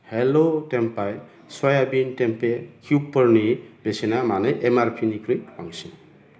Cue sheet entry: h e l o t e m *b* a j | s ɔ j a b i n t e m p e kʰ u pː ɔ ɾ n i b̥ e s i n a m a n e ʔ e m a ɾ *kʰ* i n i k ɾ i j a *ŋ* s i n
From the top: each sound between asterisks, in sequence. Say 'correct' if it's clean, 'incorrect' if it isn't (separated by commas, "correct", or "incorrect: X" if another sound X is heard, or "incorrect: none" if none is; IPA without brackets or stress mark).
incorrect: p, incorrect: pʰ, correct